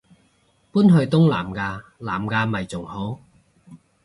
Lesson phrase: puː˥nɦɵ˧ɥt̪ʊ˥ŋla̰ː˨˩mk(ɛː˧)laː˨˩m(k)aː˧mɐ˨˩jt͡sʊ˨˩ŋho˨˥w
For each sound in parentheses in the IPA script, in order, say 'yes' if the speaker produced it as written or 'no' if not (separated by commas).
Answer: no, yes